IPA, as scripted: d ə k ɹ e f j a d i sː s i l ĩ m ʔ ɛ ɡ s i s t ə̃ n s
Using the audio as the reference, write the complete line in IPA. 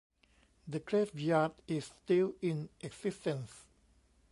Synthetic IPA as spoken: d ə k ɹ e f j a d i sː t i l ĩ n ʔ ɛ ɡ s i s t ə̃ n s